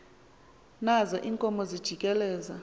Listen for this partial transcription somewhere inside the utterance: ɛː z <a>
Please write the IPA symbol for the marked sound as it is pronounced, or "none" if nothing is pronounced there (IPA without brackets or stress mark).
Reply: a